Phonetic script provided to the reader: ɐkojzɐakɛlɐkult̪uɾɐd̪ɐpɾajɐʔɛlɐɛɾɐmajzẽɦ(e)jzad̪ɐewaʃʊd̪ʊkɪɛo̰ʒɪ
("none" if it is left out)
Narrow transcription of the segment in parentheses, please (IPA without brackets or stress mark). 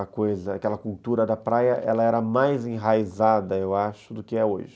a